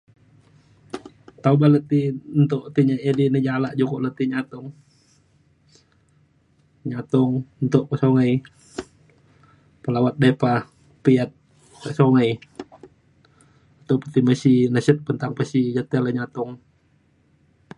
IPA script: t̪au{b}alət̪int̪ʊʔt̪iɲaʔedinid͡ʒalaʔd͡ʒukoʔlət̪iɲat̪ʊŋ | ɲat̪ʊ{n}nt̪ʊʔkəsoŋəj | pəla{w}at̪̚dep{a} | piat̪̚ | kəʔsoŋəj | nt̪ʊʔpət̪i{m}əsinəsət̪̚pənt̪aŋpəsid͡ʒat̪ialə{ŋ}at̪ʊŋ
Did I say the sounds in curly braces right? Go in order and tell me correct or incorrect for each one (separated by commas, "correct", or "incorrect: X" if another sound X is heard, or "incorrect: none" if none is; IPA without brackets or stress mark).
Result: correct, incorrect: ŋ, correct, correct, correct, incorrect: ɲ